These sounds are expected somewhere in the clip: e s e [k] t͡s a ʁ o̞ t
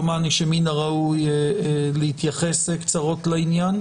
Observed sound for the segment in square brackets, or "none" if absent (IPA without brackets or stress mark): k